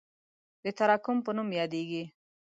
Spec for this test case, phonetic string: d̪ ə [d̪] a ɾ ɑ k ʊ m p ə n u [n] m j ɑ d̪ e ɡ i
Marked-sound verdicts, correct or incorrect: incorrect, incorrect

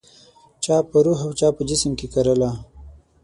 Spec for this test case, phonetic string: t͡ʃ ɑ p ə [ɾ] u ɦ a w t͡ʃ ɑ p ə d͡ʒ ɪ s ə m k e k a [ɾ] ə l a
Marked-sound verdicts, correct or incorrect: correct, correct

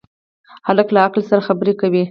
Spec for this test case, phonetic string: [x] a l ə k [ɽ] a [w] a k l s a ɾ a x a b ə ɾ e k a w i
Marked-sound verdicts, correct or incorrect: incorrect, incorrect, incorrect

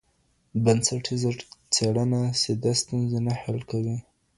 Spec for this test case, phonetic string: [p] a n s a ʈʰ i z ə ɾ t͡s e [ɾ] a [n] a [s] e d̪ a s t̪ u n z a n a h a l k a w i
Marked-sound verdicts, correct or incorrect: incorrect, incorrect, correct, correct

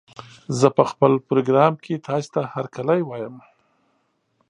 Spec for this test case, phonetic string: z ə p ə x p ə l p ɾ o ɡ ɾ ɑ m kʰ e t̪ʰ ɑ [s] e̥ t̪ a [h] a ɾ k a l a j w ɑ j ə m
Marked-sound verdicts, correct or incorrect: correct, correct

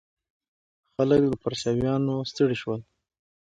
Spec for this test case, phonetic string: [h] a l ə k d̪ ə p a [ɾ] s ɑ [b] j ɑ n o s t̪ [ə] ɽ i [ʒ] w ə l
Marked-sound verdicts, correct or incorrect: incorrect, correct, incorrect, correct, incorrect

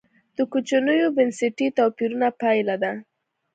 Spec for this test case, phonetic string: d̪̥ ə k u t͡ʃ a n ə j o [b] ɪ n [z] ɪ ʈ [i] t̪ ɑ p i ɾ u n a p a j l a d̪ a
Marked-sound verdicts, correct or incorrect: correct, incorrect, correct

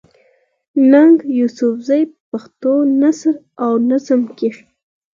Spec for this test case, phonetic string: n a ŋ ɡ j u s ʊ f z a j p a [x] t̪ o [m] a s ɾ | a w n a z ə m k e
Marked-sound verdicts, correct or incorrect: correct, incorrect

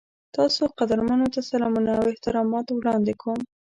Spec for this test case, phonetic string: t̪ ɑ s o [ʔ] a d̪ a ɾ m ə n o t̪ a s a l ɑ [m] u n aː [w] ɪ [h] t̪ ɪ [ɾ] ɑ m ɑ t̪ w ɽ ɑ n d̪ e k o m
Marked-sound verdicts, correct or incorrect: incorrect, correct, correct, correct, correct

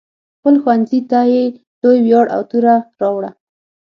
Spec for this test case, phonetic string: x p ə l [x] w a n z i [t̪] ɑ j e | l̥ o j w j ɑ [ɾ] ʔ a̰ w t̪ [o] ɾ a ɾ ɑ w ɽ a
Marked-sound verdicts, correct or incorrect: correct, correct, incorrect, incorrect

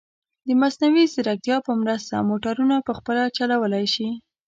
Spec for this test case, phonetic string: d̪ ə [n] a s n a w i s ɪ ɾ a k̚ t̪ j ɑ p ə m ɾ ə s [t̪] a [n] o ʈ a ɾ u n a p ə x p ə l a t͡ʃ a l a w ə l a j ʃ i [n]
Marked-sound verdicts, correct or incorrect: incorrect, correct, incorrect, incorrect

